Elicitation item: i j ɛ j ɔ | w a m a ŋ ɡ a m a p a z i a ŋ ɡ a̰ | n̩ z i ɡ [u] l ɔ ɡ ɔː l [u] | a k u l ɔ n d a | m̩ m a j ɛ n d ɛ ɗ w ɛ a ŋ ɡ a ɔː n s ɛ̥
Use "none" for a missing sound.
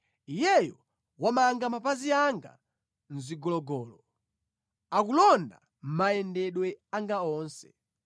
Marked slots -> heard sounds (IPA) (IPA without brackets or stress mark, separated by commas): ɔ, ɔ